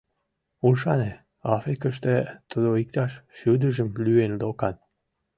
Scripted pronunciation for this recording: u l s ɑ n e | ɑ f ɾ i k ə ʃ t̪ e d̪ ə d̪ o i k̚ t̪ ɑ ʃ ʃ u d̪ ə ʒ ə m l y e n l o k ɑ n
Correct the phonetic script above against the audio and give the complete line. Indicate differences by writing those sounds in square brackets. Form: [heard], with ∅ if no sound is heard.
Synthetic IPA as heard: u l [ʃ] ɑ n e | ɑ f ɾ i k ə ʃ t̪ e [t̪] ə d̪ o i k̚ t̪ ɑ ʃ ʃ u d̪ ə ʒ ə m l y e n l o k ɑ n